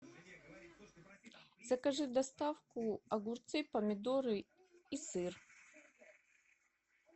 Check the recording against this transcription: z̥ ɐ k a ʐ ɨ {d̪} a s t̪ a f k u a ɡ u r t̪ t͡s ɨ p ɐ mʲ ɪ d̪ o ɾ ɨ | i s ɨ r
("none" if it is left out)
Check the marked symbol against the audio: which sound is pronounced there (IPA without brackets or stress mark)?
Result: d̪